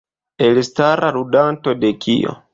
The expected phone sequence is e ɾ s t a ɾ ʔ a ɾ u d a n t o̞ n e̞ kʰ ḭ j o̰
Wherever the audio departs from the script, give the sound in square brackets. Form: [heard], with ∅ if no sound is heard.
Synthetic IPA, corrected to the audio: e [l] s t a ɾ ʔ a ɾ u d a n t o̞ [d] e̞ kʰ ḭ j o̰